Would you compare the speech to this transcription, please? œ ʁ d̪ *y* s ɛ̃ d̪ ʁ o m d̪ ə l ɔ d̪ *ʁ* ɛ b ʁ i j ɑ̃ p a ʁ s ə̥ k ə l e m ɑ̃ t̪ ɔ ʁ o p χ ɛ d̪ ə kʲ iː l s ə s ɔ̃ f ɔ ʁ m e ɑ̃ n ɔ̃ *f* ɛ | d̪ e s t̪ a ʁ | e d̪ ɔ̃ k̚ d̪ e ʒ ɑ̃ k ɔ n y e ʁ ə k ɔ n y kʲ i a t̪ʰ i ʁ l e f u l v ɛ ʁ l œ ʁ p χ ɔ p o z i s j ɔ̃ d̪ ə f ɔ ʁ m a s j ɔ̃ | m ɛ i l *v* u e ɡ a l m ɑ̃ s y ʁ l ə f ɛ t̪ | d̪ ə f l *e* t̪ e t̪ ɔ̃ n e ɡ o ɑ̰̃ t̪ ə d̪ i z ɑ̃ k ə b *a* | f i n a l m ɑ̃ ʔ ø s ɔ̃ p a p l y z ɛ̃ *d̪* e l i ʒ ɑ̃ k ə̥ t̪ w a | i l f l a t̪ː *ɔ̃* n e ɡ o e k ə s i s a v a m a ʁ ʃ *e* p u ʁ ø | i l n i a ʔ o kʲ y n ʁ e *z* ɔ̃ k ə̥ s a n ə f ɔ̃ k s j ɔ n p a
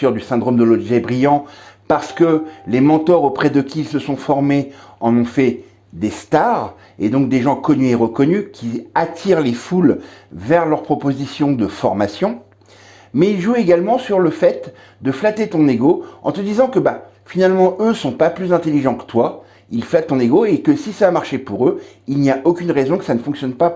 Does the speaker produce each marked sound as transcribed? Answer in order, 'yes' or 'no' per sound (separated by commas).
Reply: yes, no, yes, no, no, yes, no, yes, yes, yes